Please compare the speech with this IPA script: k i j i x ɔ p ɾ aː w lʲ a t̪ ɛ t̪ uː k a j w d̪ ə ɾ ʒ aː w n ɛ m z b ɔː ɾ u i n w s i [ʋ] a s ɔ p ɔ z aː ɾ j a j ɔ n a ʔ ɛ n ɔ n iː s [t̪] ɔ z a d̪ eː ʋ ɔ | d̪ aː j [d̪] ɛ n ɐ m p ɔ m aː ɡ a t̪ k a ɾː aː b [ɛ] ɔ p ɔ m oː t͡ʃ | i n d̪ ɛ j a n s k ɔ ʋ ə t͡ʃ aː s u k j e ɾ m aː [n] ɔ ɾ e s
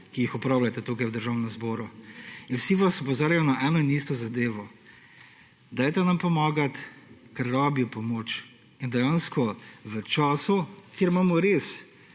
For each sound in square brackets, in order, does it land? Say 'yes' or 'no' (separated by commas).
yes, yes, no, no, no